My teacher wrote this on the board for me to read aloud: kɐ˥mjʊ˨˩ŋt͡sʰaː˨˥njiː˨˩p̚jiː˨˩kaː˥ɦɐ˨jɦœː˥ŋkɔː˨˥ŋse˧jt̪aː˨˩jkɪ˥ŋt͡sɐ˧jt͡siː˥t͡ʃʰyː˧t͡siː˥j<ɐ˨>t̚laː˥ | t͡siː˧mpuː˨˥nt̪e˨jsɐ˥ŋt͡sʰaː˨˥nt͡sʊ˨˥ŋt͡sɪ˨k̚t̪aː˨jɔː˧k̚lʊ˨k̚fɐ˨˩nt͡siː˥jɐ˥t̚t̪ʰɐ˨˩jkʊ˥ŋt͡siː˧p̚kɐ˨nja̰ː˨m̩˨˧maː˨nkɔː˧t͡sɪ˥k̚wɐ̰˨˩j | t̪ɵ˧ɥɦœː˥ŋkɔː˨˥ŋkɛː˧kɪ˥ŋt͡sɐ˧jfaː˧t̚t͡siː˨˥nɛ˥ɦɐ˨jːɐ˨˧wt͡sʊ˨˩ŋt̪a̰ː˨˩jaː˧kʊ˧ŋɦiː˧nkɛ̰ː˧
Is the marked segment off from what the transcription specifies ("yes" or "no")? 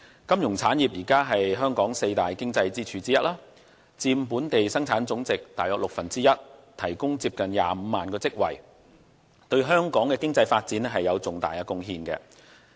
yes